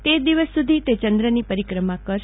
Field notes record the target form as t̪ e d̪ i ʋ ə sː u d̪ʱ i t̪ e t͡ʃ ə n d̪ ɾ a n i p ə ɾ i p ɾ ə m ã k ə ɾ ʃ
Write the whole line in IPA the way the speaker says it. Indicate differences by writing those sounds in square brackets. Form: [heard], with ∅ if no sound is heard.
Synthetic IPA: t̪ e d̪ i ʋ ə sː u d̪ʱ i t̪ e t͡ʃ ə n d̪ ɾ [ə] n i p ə ɾ i [k] ɾ ə m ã k ə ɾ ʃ

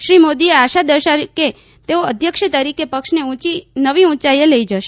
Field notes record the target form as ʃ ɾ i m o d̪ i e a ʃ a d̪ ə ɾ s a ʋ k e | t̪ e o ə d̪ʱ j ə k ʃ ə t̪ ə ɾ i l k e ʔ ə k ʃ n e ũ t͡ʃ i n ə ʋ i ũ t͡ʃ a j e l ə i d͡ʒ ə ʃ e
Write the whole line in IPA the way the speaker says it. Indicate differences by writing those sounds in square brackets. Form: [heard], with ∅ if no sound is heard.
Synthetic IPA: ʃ ɾ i m o d̪ i e a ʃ a d̪ ə ɾ [ʃ] a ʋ k e | t̪ e o ə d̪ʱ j ə k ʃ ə t̪ ə ɾ i [∅] k e [p] ə k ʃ n e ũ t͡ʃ i n ə ʋ i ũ t͡ʃ a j e l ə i d͡ʒ ə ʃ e

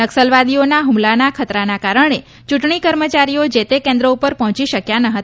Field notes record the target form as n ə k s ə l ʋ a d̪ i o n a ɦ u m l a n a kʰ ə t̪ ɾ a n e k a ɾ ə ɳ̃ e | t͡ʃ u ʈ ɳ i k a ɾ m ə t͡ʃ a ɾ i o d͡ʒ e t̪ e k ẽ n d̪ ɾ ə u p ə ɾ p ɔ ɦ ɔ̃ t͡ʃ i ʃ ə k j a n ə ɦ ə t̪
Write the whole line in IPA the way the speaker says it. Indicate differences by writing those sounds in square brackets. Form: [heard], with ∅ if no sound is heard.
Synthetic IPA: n ə k s ə l ʋ a d̪ i o n a ɦ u m l a n a kʰ ə t̪ ɾ a n [a] k a ɾ ə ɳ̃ e | t͡ʃ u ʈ ɳ i k [ə] ɾ m ə t͡ʃ a ɾ i o d͡ʒ e t̪ e k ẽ n d̪ ɾ ə u p ə ɾ p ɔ ɦ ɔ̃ t͡ʃ i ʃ ə k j a n ə ɦ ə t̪

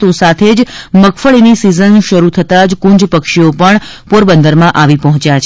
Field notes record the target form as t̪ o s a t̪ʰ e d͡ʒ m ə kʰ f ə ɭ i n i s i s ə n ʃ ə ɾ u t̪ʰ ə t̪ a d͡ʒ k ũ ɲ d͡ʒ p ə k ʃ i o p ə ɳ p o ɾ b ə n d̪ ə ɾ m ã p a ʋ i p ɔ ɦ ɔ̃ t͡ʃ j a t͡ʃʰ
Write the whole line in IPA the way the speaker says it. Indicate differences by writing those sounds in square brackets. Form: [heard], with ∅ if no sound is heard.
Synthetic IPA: t̪ o s a t̪ʰ e d͡ʒ m ə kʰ f ə ɭ i n i s i [z] ə n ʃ ə ɾ u t̪ʰ ə t̪ a d͡ʒ k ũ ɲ d͡ʒ p ə k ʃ i o p ə ɳ p o ɾ b ə n d̪ ə ɾ m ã [ʔ] a ʋ i p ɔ ɦ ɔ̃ t͡ʃ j a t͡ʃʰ

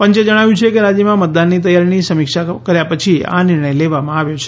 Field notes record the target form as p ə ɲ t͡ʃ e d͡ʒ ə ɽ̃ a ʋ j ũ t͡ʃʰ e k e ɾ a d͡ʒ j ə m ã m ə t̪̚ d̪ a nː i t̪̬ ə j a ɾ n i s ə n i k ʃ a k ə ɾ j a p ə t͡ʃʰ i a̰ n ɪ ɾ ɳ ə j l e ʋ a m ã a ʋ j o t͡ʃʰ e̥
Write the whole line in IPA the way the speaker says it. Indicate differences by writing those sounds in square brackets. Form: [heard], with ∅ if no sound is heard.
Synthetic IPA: p ə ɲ t͡ʃ e d͡ʒ ə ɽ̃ a ʋ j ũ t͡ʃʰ e k e ɾ a d͡ʒ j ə m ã m ə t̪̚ d̪ a nː i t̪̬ ə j a ɾ n i s ə [m] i k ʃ a k ə ɾ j a p ə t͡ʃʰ i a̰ n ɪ ɾ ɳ ə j l e ʋ a m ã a ʋ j o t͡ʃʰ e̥

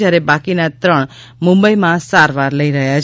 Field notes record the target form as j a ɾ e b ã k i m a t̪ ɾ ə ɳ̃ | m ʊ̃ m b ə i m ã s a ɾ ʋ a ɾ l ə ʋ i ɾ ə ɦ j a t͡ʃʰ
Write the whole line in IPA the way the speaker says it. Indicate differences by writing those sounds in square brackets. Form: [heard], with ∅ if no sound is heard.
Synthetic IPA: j a ɾ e b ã k i [n] a t̪ ɾ ə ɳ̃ | m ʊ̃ m b ə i m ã s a ɾ ʋ a ɾ l ə [∅] i ɾ ə ɦ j a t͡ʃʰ

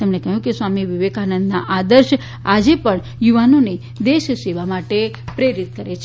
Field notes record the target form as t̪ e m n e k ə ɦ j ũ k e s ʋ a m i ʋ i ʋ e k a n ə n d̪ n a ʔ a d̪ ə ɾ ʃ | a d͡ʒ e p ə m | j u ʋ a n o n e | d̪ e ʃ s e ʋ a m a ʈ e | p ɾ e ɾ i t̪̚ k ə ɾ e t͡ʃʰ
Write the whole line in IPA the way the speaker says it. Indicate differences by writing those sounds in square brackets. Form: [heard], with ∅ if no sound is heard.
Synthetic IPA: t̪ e m n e k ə ɦ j ũ k e s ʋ a m i ʋ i ʋ e k a n ə n d̪ n a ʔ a d̪ ə ɾ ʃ | a d͡ʒ e p ə [ɳ] | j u ʋ a n o n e | d̪ e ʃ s e ʋ a m a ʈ e | p ɾ e ɾ i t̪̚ k ə ɾ e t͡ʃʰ

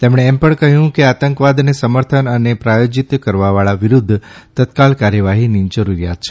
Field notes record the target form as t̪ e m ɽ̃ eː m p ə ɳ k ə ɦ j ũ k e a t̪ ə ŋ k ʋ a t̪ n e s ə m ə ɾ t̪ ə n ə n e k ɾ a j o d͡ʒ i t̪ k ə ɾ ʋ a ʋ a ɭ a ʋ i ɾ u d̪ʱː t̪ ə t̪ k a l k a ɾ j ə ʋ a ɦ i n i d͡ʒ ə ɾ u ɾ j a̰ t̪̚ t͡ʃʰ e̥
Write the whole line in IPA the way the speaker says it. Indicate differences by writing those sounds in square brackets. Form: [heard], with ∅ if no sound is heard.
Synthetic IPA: t̪ e m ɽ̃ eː m p ə ɳ k ə ɦ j ũ k e a t̪ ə ŋ k ʋ a [d̪] n e s ə m ə ɾ [t̪ʰ] ə n ə n e [p] ɾ a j o d͡ʒ i t̪ k ə ɾ ʋ a ʋ a ɭ a ʋ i ɾ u d̪ʱː t̪ ə t̪ k a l k a ɾ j ə ʋ a ɦ i n i d͡ʒ ə ɾ u ɾ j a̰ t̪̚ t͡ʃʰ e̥

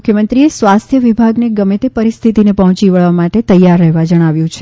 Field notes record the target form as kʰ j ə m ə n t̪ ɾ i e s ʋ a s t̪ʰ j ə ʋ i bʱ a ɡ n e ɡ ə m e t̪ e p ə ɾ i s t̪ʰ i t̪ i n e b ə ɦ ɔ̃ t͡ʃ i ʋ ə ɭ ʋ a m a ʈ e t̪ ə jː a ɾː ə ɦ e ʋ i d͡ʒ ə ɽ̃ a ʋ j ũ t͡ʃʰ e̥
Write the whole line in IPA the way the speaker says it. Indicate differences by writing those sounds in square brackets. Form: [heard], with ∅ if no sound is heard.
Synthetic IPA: kʰ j ə m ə n t̪ ɾ i e s ʋ a s t̪ʰ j ə ʋ i bʱ a ɡ n e ɡ ə m e t̪ e p ə ɾ i s t̪ʰ i t̪ i n e [p] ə ɦ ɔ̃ t͡ʃ i ʋ ə ɭ ʋ a m a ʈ e t̪ ə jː a ɾː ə ɦ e ʋ [a] d͡ʒ ə ɽ̃ a ʋ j ũ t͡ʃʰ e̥

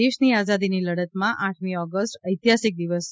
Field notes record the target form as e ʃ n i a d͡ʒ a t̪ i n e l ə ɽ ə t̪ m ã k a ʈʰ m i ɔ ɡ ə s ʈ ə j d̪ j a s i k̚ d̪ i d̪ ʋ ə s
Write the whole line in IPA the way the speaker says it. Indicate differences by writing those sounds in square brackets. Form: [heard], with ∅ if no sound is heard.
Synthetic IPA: e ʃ n i a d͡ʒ a [d̪] i n [i] l ə ɽ ə t̪ m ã [ʔ] a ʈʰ m i ɔ ɡ ə s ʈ ə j [t̪] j a s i k̚ d̪ i [∅] ʋ ə s

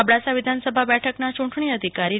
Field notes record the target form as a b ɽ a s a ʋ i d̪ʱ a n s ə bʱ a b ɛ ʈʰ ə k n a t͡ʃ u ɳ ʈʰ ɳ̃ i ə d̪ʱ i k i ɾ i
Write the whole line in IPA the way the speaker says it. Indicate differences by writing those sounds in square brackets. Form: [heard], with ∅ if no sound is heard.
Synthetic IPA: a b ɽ a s a ʋ i d̪ʱ a n s ə bʱ a b ɛ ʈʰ ə k n a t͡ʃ u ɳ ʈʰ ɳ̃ i ə d̪ʱ i k [a] ɾ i

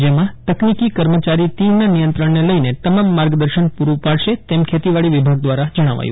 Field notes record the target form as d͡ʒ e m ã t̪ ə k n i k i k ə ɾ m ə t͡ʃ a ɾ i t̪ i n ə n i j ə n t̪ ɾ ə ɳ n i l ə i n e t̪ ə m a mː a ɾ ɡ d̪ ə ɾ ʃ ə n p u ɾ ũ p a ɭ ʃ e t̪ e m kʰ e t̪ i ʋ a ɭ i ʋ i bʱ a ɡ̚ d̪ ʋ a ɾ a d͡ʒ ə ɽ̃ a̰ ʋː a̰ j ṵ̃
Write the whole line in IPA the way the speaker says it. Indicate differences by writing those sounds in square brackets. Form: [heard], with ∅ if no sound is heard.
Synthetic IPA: d͡ʒ e m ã t̪ ə k n i k i k ə ɾ m ə t͡ʃ a ɾ i t̪ i n [a] n i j ə n t̪ ɾ ə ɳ n [e] l ə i n e t̪ ə m a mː a ɾ ɡ d̪ ə ɾ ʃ ə n p u ɾ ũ p a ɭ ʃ e t̪ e m kʰ e t̪ i ʋ a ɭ i ʋ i bʱ a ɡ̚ d̪ ʋ a ɾ a d͡ʒ ə ɽ̃ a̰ [ʋ] a̰ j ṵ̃

